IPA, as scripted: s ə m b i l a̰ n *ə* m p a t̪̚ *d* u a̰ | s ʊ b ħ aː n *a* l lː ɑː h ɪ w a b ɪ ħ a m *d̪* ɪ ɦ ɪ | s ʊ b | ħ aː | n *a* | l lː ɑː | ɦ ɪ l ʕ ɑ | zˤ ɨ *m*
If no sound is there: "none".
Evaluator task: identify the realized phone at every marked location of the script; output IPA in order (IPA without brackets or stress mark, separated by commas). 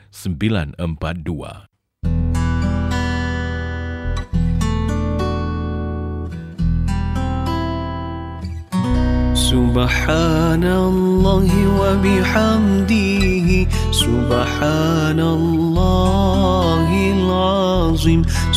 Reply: ə, d, a, d̪, a, m